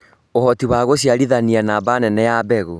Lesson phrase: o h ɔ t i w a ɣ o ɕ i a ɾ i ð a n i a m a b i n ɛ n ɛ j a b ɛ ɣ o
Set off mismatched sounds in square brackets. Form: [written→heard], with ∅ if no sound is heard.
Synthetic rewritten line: o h ɔ t i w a ɣ o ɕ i a ɾ i ð a n i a [m→n] a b [i→a] n ɛ n ɛ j a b ɛ ɣ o

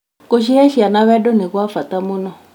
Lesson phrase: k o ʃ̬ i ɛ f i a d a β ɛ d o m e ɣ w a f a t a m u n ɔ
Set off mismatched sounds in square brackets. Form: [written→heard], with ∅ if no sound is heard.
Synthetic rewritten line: k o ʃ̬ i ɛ [f→ʃ] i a [d→n] a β ɛ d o [m→n] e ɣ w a f a t a m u n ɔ

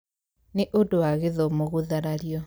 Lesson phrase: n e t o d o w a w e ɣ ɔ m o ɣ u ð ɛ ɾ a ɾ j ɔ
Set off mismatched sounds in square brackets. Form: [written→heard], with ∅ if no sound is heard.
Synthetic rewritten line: n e [t→ʔ] o d o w a [w→ɣ] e [ɣ→ð] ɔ m o ɣ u ð [ɛ→a] ɾ a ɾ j ɔ

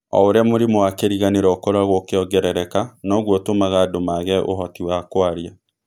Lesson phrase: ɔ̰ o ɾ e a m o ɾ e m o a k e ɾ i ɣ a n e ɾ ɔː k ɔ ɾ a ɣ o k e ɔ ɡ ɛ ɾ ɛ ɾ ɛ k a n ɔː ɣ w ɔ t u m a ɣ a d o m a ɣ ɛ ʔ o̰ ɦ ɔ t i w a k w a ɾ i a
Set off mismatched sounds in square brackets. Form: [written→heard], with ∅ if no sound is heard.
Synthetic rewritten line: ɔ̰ o ɾ e a m o ɾ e m o a k e ɾ i ɣ a n e ɾ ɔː k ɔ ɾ a ɣ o k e ɔ ɡ ɛ ɾ ɛ ɾ ɛ k a n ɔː ɣ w ɔ t [u→o] m a ɣ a d o m a ɣ ɛ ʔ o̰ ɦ ɔ t i w a k w a ɾ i a

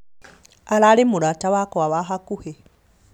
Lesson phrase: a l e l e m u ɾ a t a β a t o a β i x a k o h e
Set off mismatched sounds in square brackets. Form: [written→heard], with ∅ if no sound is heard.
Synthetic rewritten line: a l [e→a] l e m u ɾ a t a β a [t→k] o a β [i→a] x a k [o→u] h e

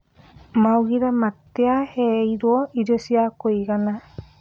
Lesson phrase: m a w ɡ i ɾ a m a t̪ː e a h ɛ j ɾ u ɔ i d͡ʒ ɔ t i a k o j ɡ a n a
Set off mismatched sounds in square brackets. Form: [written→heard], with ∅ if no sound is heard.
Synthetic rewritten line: m a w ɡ i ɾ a m a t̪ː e a h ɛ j ɾ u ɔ i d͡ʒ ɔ [t→s] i a k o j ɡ a n a

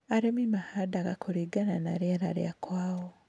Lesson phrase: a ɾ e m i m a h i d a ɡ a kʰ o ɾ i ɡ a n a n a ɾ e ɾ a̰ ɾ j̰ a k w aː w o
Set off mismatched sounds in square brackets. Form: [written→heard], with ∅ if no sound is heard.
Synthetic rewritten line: a ɾ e m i m a h [i→a] d a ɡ a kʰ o ɾ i ɡ a n a n a ɾ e ɾ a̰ ɾ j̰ a k w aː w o

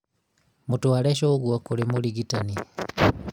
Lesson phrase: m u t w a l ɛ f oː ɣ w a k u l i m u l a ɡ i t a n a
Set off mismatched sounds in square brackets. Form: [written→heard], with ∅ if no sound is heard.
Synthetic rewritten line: m u t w a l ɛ [f→ʃ] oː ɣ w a k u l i m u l [a→i] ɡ i t a n [a→i]

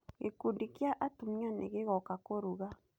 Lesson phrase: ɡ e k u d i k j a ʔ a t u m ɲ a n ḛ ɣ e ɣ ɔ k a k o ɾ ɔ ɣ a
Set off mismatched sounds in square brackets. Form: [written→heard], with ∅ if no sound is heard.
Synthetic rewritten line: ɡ e k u d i k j a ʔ a t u m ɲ a n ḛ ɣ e ɣ ɔ k a k o ɾ [ɔ→u] ɣ a

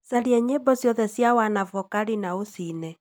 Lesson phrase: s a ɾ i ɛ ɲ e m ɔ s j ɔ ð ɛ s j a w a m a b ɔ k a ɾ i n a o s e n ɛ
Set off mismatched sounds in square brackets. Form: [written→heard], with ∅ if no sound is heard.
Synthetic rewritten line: s a ɾ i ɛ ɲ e [m→b] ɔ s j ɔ ð ɛ s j a w a [m→n] a [b→v] ɔ k a ɾ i n a o s [e→i] n ɛ

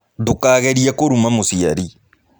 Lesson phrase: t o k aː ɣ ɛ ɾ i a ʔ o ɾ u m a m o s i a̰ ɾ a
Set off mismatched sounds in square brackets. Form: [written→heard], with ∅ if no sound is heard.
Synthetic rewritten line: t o k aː ɣ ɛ ɾ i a [ʔ→k] o ɾ u m a m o s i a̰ ɾ [a→i]

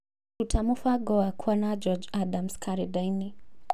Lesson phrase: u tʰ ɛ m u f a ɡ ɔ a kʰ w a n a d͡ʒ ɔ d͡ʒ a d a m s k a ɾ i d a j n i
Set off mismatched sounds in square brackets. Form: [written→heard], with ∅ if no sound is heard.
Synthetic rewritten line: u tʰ [ɛ→a] m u f a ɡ ɔ a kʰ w a n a d͡ʒ ɔ d͡ʒ a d a m s k a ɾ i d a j n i

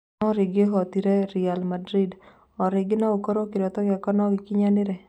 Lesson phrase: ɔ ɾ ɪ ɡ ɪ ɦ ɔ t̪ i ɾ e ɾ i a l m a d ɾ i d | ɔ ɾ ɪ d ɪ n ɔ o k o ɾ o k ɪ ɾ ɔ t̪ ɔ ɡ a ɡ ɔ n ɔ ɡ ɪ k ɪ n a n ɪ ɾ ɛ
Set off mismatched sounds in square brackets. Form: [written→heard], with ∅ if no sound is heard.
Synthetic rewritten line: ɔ ɾ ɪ ɡ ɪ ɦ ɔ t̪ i ɾ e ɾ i a l m a d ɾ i d | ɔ ɾ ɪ [d→ɡ] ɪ n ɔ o k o ɾ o k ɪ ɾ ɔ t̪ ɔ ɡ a [ɡ→k] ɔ n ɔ ɡ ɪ k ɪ [n→ɲ] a n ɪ ɾ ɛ

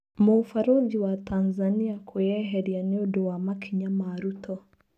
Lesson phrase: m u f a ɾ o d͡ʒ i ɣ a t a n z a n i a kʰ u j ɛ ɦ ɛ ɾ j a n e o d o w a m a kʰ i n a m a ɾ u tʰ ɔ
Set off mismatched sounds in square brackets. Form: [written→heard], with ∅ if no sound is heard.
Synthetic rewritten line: m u f a ɾ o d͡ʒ i [ɣ→w] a t a n z a n i a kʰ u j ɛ ɦ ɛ ɾ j a n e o d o w a m a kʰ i [n→ɲ] a m a ɾ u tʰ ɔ

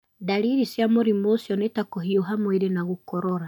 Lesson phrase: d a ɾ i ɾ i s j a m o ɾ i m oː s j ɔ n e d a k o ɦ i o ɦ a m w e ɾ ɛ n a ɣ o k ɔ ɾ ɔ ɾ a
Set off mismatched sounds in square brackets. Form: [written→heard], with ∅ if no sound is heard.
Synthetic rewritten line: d a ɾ i ɾ i s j a m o ɾ i m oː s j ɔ n e [d→t] a k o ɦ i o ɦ a m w e ɾ [ɛ→e] n a ɣ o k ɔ ɾ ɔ ɾ a

